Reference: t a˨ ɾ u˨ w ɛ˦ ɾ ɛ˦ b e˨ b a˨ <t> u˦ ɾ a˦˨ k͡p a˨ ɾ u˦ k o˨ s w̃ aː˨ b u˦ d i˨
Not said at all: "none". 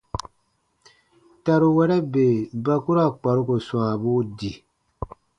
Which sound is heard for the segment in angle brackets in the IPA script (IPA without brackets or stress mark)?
k